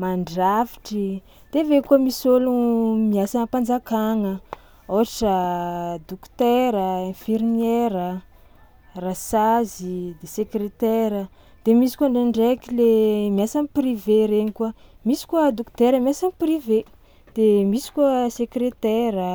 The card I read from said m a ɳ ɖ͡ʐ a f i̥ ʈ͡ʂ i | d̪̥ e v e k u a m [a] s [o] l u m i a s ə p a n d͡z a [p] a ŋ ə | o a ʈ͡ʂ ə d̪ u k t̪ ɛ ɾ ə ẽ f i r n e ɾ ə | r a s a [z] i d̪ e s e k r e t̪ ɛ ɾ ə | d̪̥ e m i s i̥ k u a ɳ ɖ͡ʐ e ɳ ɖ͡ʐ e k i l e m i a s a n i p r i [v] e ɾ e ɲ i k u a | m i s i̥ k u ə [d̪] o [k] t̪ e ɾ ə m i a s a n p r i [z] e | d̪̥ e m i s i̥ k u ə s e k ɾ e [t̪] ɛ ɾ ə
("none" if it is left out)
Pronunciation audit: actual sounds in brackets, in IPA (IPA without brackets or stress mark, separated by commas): i, o, k, z, v, d̪, k, v, t̪